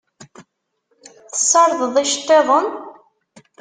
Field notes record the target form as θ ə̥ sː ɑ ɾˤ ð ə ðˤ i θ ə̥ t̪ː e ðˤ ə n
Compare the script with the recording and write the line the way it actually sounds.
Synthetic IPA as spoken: θ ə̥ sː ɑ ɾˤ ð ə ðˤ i ʃ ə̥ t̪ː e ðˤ ə n

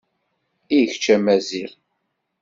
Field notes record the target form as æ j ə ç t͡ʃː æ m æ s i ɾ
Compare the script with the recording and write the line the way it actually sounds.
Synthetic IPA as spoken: i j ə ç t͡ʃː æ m æ z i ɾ

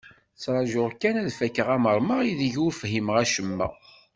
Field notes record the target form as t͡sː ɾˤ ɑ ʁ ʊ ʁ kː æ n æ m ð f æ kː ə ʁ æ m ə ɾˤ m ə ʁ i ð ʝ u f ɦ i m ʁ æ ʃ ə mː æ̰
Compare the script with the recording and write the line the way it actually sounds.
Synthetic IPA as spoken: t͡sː ɾˤ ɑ ʒ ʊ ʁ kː æ n æ ð f æ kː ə ʁ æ m ə ɾˤ m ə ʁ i ð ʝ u f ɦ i m ʁ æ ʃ ə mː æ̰

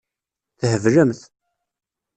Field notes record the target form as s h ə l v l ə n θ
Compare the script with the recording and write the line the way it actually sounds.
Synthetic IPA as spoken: θ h ə v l ə m θ

